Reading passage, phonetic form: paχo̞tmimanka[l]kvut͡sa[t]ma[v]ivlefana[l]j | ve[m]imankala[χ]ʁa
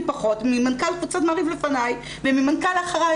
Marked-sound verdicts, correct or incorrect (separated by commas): correct, correct, incorrect, incorrect, correct, correct